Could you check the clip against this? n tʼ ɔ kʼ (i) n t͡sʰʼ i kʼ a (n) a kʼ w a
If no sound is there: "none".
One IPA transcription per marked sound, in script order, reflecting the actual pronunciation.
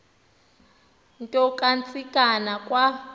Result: a, n

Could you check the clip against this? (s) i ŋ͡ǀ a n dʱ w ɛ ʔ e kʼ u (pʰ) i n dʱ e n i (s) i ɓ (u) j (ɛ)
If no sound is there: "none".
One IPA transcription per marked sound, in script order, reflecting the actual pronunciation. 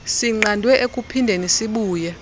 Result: s, pʰ, s, uː, ɛ

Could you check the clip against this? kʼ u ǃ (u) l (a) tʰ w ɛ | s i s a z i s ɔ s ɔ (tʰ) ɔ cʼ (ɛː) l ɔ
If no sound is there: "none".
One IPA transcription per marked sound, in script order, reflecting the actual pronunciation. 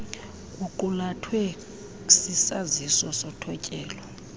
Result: u, a, tʰ, ɛː

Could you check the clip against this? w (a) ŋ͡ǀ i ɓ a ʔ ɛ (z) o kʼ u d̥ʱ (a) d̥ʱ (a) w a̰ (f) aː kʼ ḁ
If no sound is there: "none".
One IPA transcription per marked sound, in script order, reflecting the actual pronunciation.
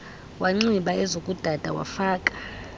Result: a, z, a, a, f

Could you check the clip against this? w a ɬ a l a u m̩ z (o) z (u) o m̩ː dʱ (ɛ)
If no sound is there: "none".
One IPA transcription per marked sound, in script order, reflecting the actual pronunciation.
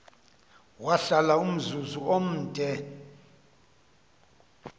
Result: u, u, ɛ

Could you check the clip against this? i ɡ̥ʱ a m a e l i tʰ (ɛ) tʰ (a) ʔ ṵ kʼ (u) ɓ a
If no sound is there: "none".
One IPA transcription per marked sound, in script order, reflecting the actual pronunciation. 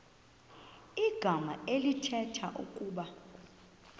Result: ɛ, a, uː

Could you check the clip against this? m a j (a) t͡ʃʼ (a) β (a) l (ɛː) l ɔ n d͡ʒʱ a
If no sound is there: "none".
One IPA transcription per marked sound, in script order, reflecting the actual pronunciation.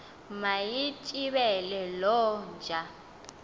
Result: i, i, ɛ, ɛ

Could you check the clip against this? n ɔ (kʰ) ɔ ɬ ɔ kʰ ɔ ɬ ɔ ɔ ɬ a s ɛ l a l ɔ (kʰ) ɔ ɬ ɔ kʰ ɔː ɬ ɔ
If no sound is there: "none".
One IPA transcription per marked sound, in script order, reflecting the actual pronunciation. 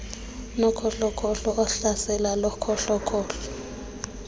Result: kʰ, kʰ

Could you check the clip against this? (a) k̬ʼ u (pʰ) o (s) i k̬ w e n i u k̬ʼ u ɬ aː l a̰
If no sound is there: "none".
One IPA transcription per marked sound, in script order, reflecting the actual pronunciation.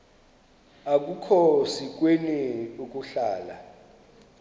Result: a, kʰ, s

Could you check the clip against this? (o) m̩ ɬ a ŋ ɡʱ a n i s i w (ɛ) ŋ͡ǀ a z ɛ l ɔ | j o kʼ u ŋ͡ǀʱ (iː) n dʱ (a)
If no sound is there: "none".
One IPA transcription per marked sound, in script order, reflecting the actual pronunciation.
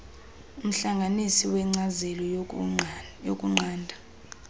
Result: u, ɛ, aː, a

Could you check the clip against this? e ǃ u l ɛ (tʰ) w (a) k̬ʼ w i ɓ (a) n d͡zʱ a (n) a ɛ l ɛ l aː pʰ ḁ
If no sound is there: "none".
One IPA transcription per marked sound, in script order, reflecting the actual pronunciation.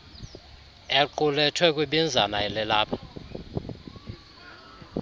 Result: tʰ, ɛ, i, n

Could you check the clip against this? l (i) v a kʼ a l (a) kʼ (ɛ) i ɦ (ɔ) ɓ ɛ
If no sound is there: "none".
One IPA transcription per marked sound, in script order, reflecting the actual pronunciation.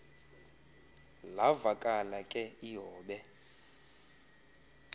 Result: a, a, ɛ, ɔː

